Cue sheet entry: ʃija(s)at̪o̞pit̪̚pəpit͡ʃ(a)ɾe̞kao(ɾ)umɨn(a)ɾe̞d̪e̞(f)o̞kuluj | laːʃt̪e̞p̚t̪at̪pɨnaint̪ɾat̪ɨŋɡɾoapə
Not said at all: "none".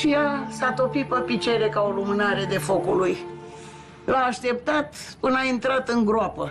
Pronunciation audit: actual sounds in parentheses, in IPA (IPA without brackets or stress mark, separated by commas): s, e, l, a, f